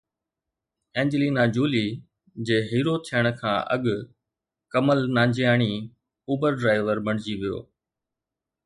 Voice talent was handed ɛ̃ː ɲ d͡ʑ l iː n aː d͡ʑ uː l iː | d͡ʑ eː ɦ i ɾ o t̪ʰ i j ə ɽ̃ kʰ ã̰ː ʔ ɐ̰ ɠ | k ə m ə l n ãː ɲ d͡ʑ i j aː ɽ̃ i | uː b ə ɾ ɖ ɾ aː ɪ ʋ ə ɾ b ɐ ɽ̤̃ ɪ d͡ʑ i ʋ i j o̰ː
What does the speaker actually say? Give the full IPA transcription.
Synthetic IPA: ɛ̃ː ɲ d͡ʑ l iː n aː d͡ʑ uː l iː | d͡ʑ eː ɦ iː ɾ o t̪ʰ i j ə ɽ̃ kʰ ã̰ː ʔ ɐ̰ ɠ | k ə m ə l n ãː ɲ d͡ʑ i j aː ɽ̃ i | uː b ə ɾ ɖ ɾ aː ɪ ʋ ə ɾ b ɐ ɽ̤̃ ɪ d͡ʑ i ʋ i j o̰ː